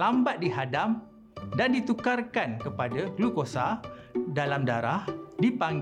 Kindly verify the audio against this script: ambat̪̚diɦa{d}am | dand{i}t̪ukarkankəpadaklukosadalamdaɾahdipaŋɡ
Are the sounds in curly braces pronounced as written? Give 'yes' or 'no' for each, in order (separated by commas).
yes, yes